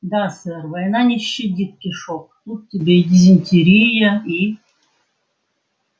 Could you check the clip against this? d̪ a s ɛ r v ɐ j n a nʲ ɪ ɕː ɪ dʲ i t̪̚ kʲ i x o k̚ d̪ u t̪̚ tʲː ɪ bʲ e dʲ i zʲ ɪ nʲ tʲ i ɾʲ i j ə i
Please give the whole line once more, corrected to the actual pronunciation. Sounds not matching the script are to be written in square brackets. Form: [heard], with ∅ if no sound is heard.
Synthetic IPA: d̪ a s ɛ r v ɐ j n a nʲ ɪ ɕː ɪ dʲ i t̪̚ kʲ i [ʂ] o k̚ [t̪] u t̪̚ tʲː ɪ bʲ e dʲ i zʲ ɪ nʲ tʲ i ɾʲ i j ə i